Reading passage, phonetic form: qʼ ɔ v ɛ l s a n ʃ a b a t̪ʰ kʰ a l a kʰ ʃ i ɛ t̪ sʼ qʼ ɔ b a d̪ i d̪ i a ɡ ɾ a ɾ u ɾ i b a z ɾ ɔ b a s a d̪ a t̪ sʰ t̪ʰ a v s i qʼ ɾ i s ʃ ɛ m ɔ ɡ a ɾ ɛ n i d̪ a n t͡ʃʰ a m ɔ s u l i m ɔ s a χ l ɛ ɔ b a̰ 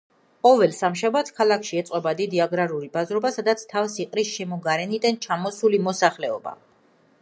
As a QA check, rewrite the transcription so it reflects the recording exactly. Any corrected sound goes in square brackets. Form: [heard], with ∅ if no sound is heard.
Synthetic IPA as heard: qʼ ɔ v ɛ l s a [m] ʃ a b a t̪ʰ kʰ a l a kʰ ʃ i ɛ t̪ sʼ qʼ ɔ b a d̪ i d̪ i a ɡ ɾ a ɾ u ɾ i b a z ɾ ɔ b a s a d̪ a t̪ sʰ t̪ʰ a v s i qʼ ɾ i s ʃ ɛ m ɔ ɡ a ɾ ɛ n i d̪ a n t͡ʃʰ a m ɔ s u l i m ɔ s a χ l ɛ ɔ b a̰